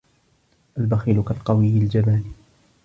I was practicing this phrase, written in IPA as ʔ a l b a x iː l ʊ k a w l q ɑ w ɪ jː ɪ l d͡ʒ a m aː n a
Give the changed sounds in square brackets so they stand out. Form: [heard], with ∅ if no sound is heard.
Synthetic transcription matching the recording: ʔ a l b a x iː l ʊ k a [∅] l q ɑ w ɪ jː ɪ l d͡ʒ a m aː n [i]

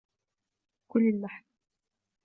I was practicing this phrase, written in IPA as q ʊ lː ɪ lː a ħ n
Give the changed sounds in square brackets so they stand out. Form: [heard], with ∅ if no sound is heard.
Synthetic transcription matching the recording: [k] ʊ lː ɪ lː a ħ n

